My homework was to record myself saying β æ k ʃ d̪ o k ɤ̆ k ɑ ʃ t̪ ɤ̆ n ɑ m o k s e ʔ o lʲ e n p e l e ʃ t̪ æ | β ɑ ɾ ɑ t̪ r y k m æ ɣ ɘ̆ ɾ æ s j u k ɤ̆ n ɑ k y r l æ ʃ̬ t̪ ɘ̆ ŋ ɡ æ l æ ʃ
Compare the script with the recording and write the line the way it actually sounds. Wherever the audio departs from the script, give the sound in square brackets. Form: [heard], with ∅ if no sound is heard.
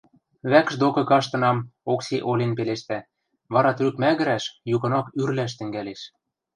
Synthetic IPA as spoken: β æ k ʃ d̪ o k ɤ̆ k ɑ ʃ t̪ ɤ̆ n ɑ m o k s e ʔ o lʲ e n p e l e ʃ t̪ æ | β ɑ ɾ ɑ t̪ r y k m æ ɣ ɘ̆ ɾ æ [ʃ] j u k ɤ̆ n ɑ k y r l æ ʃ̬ t̪ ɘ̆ ŋ ɡ æ l [e] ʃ